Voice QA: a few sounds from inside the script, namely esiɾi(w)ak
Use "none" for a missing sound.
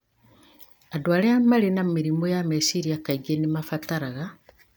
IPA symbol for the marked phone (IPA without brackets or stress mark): none